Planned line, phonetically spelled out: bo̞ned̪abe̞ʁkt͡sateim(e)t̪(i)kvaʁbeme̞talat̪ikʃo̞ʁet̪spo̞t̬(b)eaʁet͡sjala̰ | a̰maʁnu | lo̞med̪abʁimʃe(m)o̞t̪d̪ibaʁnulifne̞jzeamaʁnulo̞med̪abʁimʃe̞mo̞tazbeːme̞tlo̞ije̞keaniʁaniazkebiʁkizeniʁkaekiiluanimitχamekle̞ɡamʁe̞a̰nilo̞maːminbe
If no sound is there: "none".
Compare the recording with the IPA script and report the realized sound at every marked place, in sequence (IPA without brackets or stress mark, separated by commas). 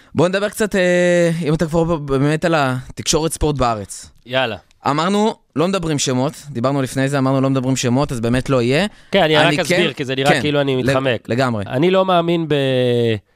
a, a, b, m